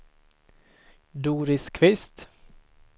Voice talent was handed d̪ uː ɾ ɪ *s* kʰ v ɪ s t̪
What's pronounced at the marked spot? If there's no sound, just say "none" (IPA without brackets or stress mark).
s